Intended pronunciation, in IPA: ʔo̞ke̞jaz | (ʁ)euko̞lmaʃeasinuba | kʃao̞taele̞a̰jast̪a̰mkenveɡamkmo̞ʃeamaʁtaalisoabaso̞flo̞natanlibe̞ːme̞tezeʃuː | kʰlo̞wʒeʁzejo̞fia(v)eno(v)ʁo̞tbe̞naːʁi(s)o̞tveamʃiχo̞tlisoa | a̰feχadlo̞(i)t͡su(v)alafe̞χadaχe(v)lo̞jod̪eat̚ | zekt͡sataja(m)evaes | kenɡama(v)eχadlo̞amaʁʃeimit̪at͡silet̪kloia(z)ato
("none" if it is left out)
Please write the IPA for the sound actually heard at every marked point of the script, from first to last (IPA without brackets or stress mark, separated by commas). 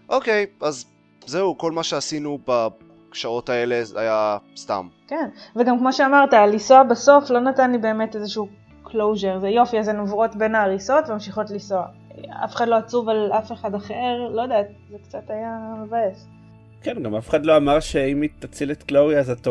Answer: z, z, v, s, a, v, ʁ, m, f, z